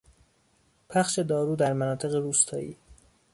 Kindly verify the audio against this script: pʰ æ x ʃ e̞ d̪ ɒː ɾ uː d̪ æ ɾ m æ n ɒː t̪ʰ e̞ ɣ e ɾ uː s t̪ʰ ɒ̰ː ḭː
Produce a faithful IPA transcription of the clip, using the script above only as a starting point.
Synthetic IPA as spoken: pʰ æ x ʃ e̞ d̪ ɒː ɾ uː d̪ æ ɾ m æ n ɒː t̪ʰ e̞ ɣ e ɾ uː s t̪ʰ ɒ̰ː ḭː

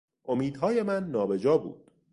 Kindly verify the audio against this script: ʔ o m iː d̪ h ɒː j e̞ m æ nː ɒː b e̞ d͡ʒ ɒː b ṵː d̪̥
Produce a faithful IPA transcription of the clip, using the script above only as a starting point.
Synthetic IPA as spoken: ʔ o m iː d̪ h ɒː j e̞ m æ nː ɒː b e̞ d͡ʒ ɒː b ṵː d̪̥

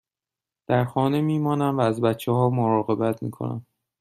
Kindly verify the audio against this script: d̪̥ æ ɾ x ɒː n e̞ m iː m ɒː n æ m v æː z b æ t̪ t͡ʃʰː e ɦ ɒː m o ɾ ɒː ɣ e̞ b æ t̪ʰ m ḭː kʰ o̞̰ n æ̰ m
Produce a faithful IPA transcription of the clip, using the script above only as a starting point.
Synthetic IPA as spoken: d̪̥ æ ɾ x ɒː n e̞ m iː m ɒː n æ m v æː z b æ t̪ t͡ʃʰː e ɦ ɒː m o ɾ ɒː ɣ e̞ b æ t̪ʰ m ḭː kʰ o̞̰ n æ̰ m

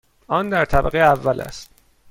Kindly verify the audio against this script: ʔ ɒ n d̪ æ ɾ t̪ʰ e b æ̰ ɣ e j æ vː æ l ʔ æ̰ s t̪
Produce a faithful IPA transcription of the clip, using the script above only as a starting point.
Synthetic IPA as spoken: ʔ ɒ n d̪ æ ɾ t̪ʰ æ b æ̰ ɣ e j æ vː æ l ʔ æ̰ s t̪

